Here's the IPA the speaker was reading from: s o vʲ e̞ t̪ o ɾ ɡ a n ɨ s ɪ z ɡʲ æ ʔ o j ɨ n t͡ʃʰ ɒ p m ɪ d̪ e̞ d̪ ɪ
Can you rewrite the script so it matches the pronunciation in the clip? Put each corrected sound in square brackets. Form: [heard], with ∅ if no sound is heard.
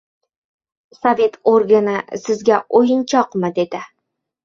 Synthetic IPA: s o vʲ e̞ t̪ o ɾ ɡ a n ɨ s ɪ z ɡʲ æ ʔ o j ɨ n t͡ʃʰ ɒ [q] m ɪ d̪ e̞ d̪ ɪ